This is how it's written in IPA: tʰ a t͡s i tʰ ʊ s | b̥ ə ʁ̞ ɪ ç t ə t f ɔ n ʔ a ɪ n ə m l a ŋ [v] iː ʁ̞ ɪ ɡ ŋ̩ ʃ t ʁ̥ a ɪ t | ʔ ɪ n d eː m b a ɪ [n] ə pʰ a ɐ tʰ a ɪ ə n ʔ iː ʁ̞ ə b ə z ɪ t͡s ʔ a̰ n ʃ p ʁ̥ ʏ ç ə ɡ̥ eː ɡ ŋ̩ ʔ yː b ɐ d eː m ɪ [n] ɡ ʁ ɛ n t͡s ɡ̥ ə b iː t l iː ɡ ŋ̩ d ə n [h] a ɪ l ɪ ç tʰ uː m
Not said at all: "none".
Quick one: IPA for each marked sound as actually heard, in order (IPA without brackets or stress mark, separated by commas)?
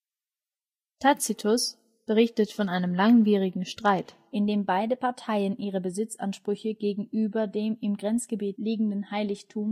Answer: v, d, m, h